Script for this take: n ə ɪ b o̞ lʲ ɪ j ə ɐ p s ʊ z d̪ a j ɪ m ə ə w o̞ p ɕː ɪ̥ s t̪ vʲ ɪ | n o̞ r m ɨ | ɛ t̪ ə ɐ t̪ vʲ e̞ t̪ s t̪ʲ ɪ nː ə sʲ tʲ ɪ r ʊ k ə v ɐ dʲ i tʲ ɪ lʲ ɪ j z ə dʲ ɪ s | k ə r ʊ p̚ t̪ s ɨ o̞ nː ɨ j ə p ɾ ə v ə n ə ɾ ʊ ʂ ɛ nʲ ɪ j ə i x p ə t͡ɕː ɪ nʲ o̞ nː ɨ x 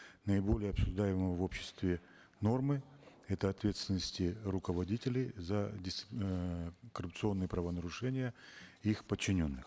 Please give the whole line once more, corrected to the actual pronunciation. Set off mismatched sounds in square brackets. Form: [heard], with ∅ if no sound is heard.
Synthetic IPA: n ə ɪ b o̞ lʲ ɪ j ə ɐ p s ʊ [ʐ] d̪ a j ɪ m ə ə [v] o̞ p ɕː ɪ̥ s t̪ vʲ ɪ | n o̞ r m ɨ | ɛ t̪ ə ɐ t̪ vʲ e̞ t̪ s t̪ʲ ɪ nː ə sʲ tʲ ɪ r ʊ k ə v ɐ dʲ i tʲ ɪ lʲ ɪ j z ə dʲ ɪ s | k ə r ʊ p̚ t̪ s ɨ o̞ nː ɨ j ə p ɾ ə v ə n ə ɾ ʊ ʂ ɛ nʲ ɪ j ə i x p ə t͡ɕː ɪ nʲ o̞ nː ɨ x